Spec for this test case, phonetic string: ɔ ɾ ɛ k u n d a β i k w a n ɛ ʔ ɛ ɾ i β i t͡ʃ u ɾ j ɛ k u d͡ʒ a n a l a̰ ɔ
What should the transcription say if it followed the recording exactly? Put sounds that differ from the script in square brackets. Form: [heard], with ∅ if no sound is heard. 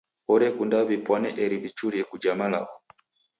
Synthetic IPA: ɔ ɾ ɛ k u n d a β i [p] w a n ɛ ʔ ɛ ɾ i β i t͡ʃ u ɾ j ɛ k u d͡ʒ a [m] a l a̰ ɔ